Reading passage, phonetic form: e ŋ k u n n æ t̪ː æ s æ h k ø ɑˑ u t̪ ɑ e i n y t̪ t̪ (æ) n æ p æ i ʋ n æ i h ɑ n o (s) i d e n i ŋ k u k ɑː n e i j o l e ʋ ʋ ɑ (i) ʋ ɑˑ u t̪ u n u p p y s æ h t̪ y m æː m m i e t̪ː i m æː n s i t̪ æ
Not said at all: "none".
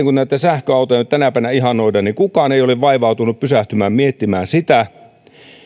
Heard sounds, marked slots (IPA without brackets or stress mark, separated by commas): æ, none, i